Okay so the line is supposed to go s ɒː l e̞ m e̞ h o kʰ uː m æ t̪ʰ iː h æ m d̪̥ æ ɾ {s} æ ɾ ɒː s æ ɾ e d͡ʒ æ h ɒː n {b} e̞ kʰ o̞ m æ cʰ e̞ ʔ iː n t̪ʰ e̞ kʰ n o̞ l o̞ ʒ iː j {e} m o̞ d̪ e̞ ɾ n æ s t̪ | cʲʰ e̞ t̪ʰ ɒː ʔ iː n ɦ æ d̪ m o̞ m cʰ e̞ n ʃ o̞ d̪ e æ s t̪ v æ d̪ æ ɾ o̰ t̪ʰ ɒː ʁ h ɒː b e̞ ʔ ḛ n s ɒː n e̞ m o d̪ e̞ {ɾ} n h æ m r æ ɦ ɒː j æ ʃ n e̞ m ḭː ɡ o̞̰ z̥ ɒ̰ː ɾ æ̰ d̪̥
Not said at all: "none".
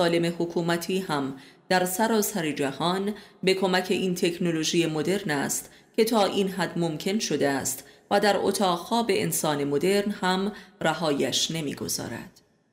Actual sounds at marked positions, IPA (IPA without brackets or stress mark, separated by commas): s, b, e, ɾ